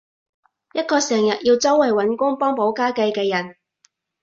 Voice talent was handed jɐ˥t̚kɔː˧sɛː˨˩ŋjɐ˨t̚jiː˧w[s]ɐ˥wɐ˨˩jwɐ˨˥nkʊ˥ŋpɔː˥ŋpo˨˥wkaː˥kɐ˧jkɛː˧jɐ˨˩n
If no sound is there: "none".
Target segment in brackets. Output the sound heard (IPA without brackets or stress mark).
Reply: t͡s